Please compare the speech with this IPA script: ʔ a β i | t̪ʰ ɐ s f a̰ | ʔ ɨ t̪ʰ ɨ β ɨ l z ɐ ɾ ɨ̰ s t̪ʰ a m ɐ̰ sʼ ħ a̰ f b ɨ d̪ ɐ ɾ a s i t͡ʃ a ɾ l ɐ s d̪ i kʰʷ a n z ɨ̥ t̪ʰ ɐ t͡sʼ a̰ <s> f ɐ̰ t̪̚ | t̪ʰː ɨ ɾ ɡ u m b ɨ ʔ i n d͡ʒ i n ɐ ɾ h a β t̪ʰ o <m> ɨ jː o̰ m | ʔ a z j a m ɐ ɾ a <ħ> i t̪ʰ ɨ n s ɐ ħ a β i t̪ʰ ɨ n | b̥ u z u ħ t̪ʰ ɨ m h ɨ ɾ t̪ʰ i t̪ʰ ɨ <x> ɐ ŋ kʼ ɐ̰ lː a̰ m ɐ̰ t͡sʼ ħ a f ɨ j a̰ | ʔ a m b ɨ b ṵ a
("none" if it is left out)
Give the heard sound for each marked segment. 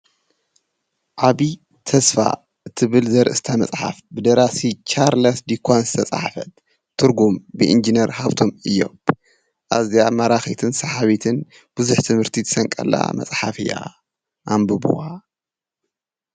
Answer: ħ, m, x, s

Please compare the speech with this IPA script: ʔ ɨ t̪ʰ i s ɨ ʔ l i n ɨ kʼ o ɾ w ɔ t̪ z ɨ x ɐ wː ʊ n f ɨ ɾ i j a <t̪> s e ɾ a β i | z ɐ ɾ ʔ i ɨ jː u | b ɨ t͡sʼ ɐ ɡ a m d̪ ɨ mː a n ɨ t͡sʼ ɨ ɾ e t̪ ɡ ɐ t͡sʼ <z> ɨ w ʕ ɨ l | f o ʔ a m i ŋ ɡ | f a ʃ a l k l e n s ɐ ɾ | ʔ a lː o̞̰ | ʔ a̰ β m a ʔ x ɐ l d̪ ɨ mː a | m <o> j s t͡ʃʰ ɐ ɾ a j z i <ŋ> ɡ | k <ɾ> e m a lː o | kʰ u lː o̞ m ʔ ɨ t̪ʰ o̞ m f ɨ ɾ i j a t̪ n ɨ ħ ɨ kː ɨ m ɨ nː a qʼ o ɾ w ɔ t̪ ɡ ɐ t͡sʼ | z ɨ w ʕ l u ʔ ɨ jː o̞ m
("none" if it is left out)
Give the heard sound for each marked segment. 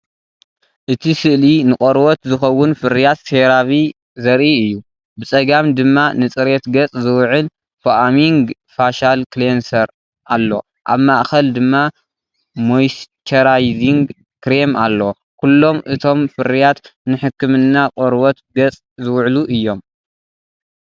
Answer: t̪, z, o, ŋ, ɾ

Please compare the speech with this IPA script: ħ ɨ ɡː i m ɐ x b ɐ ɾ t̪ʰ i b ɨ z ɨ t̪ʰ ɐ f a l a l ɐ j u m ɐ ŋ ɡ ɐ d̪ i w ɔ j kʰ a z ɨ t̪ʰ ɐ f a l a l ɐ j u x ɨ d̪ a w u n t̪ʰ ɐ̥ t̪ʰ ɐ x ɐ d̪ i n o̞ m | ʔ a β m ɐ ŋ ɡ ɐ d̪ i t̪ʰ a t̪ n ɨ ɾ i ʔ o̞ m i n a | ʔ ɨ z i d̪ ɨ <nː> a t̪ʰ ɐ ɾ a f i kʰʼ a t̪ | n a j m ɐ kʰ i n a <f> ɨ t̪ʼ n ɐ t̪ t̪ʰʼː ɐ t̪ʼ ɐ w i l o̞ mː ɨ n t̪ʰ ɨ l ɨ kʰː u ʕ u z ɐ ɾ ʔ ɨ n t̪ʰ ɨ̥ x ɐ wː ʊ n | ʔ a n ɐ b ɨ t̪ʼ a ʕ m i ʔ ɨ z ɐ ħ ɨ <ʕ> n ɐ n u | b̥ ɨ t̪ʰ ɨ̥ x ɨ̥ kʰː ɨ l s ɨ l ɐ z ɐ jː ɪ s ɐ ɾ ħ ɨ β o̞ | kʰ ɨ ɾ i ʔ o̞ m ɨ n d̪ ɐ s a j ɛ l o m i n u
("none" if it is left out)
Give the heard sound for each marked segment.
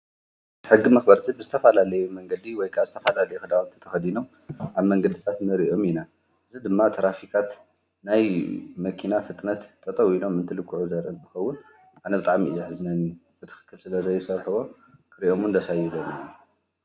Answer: mː, f, z

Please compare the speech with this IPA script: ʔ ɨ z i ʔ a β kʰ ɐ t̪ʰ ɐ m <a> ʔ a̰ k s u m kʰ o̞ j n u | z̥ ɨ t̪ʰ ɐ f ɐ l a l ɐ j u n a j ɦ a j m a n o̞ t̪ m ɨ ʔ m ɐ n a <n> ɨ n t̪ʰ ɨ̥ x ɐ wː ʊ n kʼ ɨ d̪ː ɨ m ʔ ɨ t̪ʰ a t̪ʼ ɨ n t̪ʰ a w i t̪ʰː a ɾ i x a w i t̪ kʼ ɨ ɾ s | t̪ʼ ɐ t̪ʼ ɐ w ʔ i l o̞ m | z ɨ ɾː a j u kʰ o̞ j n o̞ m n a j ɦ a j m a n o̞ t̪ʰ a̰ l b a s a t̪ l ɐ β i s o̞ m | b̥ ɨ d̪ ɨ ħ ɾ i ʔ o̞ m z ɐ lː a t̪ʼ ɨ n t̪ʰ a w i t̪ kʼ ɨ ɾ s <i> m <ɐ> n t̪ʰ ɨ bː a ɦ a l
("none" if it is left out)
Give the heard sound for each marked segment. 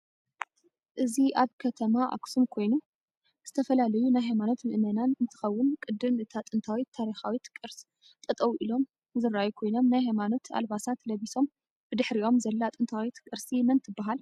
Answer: a, n, i, ɐ

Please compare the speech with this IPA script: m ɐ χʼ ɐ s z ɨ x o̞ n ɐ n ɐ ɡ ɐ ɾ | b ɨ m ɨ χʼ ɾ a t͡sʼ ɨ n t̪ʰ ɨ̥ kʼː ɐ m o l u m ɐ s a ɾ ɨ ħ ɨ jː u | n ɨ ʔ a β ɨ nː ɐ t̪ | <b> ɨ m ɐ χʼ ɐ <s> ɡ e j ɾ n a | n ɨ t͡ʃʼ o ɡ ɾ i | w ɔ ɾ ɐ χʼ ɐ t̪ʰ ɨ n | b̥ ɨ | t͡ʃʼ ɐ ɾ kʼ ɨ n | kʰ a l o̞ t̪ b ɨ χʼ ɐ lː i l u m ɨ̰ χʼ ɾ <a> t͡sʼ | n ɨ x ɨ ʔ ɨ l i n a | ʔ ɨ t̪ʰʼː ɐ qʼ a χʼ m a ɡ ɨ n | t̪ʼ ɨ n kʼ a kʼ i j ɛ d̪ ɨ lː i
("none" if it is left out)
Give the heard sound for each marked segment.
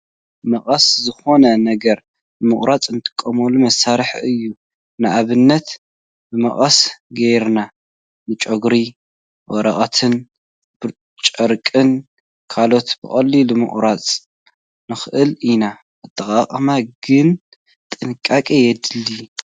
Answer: b, s, a

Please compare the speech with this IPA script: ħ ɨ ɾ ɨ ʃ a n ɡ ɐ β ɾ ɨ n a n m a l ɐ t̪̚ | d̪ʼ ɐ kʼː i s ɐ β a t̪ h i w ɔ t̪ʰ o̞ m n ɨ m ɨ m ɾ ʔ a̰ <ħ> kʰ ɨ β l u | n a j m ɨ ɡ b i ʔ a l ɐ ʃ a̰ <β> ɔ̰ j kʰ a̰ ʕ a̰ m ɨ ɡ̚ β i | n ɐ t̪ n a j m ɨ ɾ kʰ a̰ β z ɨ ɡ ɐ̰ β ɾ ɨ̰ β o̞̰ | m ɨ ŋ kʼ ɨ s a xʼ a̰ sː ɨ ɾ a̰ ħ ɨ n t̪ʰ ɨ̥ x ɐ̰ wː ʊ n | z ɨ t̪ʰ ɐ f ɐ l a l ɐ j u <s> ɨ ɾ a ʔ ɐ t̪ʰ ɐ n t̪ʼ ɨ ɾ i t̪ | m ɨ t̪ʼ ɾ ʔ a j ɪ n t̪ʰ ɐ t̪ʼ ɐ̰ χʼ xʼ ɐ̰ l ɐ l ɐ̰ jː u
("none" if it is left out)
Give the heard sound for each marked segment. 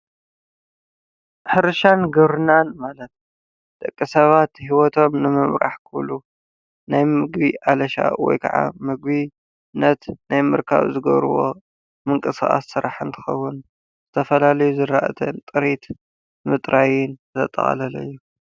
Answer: ħ, w, z

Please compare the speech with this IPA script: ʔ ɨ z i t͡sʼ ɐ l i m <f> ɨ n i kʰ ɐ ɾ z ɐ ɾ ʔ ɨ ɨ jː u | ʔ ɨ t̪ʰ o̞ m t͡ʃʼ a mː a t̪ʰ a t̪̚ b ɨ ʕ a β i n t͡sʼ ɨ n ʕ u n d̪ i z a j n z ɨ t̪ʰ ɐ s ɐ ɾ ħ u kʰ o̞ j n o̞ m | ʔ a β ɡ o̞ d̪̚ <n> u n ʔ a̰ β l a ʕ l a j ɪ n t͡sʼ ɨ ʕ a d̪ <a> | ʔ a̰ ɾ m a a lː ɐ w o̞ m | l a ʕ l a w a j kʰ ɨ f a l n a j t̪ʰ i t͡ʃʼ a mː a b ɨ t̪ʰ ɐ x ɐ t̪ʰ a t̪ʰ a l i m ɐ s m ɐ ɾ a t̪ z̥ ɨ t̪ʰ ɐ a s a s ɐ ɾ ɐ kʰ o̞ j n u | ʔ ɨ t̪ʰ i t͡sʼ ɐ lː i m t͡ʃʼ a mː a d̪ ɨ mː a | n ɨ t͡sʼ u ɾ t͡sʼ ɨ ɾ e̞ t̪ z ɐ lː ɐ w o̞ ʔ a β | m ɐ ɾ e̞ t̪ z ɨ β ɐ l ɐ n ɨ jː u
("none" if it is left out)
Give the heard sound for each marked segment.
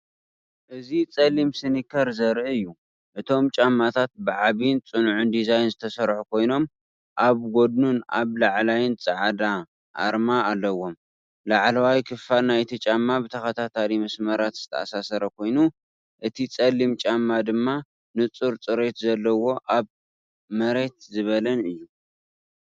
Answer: s, n, a

